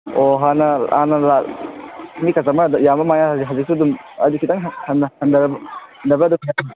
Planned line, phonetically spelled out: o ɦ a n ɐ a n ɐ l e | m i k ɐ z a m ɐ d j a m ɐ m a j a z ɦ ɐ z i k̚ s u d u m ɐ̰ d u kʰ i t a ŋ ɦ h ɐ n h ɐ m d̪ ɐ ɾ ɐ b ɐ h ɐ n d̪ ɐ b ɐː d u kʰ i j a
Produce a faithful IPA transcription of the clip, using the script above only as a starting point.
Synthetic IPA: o ɦ a n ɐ a n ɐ l a | m i k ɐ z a m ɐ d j a m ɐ m a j a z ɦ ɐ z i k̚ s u d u m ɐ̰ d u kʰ i t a ŋ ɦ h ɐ n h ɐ n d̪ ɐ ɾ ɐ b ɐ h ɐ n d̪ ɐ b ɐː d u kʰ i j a